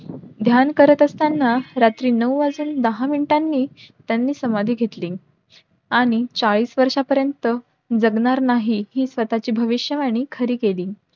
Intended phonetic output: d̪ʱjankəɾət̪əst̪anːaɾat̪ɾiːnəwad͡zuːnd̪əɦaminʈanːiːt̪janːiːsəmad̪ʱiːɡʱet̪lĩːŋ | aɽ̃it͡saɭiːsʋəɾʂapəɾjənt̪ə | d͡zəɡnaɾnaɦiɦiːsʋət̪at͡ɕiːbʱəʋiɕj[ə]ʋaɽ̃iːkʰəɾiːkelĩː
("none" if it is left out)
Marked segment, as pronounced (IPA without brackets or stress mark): ə